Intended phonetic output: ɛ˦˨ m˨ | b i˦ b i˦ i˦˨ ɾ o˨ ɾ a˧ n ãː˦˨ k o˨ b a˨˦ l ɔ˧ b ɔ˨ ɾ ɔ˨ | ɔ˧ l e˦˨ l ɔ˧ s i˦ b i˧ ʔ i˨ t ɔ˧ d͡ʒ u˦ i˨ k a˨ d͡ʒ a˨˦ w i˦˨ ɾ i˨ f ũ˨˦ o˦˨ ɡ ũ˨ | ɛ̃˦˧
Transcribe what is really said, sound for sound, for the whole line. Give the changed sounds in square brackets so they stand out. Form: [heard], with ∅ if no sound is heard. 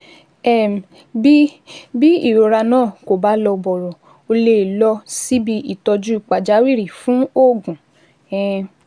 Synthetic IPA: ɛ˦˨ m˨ | b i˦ b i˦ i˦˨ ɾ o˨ ɾ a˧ n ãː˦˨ k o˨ b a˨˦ l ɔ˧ b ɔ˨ ɾ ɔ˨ | [o˧] l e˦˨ l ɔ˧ s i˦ b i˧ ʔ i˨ t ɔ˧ d͡ʒ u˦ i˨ [k͡p] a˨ d͡ʒ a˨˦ w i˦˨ ɾ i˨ f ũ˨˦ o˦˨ ɡ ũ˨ | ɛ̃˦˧